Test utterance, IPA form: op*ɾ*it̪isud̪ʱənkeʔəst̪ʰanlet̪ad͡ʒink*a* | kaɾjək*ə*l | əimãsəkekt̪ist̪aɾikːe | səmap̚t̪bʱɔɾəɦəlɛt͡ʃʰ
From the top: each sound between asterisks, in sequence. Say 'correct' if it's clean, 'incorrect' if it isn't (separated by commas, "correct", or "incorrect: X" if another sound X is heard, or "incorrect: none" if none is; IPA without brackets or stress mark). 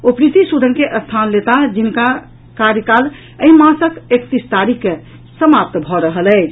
correct, correct, incorrect: a